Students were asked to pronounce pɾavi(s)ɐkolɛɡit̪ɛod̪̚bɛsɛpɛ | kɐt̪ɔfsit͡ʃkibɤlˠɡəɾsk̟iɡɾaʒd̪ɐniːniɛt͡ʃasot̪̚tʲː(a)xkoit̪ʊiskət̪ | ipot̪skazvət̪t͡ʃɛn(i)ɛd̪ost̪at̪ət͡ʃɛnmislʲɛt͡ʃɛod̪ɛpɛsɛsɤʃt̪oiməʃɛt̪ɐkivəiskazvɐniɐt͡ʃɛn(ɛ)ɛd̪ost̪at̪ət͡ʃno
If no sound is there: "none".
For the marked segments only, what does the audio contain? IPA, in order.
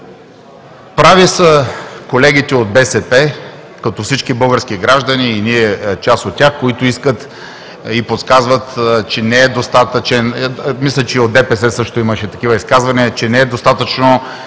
s, a, ɛ, ɛ

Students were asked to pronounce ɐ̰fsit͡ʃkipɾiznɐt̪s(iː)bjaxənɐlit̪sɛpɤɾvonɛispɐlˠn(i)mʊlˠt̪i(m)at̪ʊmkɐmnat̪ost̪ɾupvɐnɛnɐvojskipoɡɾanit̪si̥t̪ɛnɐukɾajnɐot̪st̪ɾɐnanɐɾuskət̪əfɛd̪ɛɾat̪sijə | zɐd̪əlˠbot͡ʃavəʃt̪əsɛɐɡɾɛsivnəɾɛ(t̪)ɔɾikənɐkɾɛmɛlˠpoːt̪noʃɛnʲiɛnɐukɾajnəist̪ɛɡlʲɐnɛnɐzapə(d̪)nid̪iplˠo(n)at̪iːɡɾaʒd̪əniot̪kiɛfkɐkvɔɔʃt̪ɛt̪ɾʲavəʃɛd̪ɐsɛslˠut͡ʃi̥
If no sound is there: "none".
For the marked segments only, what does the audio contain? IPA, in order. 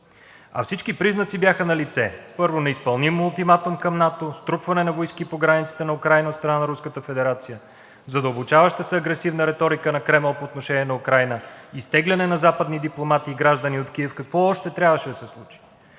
i, i, m, t̪, d̪, m

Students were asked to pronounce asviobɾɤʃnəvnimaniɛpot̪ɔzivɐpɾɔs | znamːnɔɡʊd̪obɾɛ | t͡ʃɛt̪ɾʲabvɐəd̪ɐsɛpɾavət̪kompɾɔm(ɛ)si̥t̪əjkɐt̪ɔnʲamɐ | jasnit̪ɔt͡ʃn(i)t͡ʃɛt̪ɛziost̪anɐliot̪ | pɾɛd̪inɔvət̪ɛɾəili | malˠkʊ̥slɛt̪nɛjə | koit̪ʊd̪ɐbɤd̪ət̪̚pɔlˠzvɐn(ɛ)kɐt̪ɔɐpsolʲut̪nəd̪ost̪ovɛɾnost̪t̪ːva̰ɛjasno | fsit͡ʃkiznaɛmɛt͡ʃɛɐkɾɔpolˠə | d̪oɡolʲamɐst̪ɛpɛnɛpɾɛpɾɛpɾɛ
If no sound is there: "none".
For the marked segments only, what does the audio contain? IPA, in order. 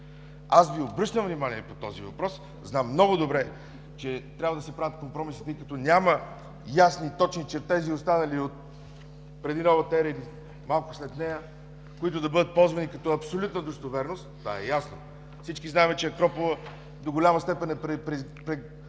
i, i, i

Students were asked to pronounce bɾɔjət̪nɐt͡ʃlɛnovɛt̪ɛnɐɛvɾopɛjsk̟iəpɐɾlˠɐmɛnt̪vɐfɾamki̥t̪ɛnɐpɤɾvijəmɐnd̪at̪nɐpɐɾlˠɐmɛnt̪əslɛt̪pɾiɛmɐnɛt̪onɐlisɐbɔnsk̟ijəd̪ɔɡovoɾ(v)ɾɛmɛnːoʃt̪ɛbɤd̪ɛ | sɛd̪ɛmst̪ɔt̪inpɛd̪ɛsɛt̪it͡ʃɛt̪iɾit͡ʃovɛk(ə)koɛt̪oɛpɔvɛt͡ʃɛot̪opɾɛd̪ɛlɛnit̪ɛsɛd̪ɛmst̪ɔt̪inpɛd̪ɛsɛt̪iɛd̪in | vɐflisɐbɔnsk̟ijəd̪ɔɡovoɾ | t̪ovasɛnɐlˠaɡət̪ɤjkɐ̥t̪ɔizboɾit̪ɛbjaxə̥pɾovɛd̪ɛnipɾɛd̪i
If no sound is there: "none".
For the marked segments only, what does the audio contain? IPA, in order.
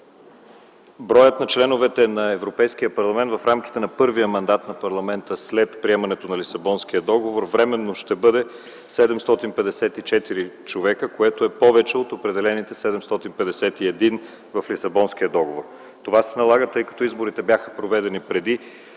v, ə

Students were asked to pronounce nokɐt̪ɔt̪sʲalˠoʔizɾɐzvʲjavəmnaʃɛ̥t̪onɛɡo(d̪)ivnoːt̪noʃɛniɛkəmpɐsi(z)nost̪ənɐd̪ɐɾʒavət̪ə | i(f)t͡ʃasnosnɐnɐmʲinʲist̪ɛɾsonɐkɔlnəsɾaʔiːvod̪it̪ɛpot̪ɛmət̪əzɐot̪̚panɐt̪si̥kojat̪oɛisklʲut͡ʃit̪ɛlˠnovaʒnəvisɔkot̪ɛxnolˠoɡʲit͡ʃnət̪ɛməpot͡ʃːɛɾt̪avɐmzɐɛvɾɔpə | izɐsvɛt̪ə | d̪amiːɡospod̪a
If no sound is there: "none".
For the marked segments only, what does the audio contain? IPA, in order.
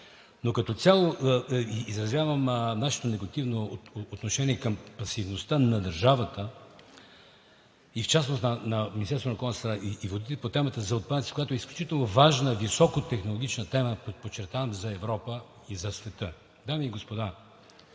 t̪, v, f

